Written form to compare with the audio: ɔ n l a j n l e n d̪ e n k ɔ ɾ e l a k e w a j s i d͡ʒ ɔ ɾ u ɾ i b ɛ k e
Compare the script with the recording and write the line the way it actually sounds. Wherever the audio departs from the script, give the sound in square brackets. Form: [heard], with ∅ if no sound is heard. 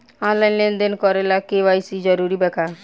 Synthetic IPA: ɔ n l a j n l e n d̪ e n k ɔ ɾ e l a k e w a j s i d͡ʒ ɔ ɾ u ɾ i b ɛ k [a]